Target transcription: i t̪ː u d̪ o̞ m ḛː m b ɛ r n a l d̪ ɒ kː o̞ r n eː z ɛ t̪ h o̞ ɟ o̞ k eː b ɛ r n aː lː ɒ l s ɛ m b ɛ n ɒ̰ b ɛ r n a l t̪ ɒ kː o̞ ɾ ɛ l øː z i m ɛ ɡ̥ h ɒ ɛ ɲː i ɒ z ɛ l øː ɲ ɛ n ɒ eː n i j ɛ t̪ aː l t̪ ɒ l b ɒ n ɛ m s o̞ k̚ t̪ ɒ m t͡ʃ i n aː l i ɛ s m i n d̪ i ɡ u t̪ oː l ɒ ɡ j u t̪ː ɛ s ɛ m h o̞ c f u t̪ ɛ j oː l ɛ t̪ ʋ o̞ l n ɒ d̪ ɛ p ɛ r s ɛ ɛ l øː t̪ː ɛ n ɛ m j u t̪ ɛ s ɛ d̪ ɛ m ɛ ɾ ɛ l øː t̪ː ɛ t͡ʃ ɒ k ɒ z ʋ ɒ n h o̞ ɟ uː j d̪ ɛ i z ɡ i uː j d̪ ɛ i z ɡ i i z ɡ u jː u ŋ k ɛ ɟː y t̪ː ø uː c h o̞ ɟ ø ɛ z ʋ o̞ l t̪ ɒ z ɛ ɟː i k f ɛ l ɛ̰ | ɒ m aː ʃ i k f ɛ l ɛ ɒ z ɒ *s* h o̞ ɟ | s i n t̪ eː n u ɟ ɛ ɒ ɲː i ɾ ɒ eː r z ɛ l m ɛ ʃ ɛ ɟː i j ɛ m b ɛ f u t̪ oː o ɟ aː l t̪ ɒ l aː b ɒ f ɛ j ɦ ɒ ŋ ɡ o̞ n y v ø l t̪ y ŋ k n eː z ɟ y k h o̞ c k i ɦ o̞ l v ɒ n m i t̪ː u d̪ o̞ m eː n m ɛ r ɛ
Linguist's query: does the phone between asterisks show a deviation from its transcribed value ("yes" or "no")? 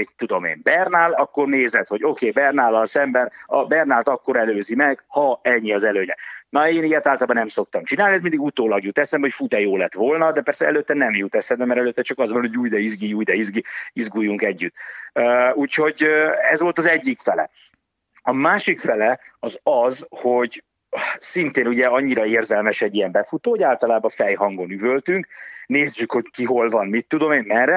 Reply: yes